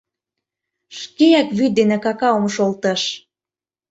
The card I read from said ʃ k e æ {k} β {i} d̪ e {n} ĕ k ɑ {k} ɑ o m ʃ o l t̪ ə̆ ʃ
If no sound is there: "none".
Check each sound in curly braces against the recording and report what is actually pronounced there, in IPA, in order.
k, y, n, k

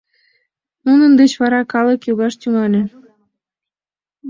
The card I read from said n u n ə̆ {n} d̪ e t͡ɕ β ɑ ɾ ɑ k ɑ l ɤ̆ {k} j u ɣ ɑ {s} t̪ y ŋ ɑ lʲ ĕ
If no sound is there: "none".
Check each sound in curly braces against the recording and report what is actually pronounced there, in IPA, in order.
n, k, ʃ

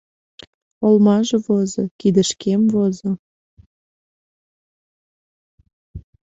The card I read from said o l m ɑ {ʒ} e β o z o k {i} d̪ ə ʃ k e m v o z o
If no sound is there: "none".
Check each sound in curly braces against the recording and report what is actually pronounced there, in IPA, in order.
ʒ, i

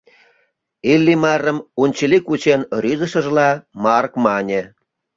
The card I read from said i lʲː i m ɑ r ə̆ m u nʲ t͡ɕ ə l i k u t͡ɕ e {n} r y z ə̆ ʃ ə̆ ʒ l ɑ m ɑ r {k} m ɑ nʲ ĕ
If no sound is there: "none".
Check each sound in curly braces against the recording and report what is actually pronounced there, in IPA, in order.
n, k

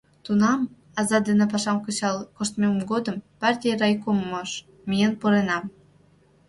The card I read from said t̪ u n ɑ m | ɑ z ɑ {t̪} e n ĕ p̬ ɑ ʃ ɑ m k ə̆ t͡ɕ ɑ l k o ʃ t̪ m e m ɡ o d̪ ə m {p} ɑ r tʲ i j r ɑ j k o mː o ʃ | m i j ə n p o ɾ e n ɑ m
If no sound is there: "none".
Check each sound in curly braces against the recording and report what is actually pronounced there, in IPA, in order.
d̪, p

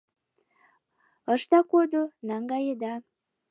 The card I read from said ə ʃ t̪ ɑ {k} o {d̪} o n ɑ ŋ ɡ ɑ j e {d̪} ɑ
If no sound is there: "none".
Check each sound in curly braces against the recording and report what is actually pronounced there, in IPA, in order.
k, d̪, d̪

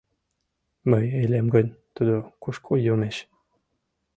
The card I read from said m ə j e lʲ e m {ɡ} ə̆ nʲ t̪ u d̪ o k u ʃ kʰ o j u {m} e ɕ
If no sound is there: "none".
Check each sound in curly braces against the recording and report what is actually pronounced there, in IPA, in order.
ɡ, m

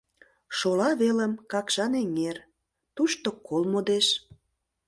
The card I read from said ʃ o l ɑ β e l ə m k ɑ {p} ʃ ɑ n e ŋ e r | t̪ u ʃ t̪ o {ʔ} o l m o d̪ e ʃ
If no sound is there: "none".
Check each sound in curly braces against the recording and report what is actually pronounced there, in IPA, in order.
k, k

